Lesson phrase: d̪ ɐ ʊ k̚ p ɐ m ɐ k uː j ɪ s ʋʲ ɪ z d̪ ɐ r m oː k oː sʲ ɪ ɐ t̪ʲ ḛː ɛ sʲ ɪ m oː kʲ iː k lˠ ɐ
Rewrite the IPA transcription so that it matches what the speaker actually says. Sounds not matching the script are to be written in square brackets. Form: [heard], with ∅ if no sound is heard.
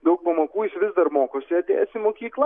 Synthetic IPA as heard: d̪ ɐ ʊ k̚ p ɐ m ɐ k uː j ɪ s ʋʲ ɪ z d̪ ɐ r m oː k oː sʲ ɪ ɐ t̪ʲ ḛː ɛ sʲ ɪ m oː kʲ iː k lˠ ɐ